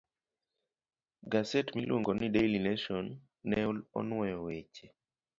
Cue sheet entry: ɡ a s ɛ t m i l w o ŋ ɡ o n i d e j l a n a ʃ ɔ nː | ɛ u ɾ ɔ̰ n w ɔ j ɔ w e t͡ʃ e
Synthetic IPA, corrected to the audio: ɡ a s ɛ t m i l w o ŋ ɡ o n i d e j l i n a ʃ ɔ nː | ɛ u l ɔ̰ n w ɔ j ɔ w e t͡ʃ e